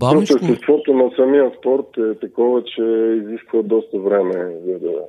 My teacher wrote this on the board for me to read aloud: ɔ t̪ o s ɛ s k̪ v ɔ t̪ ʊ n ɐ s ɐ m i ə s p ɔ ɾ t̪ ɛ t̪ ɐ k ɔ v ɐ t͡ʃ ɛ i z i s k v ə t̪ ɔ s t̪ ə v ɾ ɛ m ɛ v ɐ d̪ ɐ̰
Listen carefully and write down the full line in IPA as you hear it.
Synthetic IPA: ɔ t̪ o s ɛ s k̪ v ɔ t̪ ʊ n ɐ s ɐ m i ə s p ɔ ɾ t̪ ɛ t̪ ɐ k ɔ v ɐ t͡ʃ ɛ i z i s k v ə d̪ ɔ s t̪ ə v ɾ ɛ m ɛ z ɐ d̪ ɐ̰